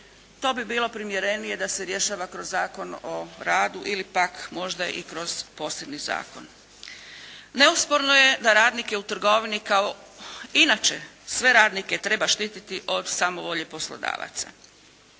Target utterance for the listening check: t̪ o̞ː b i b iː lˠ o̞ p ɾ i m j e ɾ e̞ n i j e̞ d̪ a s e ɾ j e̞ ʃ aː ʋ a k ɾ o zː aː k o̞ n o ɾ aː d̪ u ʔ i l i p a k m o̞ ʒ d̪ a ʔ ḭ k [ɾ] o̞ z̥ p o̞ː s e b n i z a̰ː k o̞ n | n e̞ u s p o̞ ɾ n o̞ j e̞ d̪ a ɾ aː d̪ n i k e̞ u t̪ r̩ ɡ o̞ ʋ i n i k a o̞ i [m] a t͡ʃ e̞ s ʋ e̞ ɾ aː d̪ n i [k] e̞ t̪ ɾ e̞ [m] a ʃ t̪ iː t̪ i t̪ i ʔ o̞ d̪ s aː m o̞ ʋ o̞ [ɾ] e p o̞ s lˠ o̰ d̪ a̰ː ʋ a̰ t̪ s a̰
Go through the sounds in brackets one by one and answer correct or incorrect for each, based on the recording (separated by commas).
correct, incorrect, correct, incorrect, incorrect